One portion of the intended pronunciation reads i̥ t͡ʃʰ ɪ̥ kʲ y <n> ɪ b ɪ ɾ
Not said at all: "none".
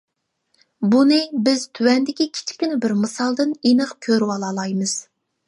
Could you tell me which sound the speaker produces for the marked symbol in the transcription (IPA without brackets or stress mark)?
n